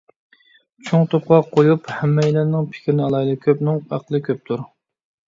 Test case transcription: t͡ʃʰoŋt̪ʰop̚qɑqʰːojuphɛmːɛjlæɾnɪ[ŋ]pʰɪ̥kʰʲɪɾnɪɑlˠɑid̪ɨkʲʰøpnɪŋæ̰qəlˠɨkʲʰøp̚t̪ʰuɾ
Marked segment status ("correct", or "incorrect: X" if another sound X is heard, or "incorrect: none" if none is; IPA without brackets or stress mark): correct